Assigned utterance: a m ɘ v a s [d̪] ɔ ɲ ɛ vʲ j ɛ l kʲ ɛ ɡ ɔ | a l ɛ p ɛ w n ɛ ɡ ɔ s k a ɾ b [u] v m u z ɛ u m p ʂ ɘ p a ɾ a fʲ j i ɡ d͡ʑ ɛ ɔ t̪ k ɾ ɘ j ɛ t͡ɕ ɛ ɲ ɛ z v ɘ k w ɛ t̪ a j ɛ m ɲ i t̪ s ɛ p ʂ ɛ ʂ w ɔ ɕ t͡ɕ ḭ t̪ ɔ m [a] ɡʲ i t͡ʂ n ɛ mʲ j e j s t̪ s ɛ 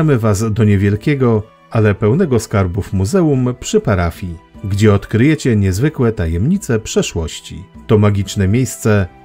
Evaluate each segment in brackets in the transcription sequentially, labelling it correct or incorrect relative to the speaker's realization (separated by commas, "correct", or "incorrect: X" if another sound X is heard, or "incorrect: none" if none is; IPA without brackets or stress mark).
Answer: correct, correct, correct